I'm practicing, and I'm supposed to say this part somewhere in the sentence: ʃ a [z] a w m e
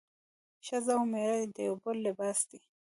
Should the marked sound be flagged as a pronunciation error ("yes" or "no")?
no